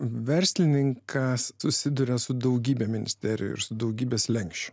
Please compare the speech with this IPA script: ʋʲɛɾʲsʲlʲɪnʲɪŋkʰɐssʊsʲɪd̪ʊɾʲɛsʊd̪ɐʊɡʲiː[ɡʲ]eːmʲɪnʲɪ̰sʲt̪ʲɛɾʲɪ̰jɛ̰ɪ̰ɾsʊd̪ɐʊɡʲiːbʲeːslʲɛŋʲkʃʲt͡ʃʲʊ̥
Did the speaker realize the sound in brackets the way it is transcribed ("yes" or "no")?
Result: no